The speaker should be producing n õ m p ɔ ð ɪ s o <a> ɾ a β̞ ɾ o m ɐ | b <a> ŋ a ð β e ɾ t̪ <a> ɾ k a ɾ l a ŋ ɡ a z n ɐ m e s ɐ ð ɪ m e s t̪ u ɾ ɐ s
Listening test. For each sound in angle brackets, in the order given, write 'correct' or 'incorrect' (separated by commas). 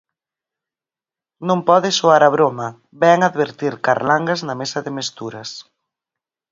correct, incorrect, incorrect